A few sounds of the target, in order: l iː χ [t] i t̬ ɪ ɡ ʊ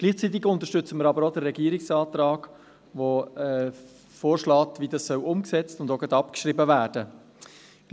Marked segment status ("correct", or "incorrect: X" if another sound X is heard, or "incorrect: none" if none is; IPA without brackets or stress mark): incorrect: t͡s